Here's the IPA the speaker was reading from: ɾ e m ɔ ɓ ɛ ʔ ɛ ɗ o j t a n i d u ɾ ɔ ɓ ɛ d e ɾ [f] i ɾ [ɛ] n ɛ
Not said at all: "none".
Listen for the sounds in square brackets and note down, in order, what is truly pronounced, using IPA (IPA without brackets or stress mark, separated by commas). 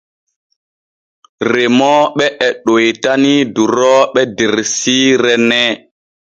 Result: s, ɛ